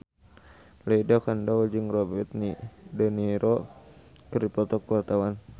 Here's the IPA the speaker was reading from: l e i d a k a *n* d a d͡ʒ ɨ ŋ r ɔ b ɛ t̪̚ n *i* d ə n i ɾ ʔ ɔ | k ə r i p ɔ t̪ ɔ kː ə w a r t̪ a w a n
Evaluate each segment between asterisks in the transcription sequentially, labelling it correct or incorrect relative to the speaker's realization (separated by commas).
correct, correct